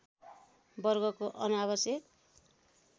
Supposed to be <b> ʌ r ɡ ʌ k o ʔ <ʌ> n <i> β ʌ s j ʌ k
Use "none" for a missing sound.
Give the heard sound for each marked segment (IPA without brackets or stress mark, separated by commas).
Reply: b, ʌ, a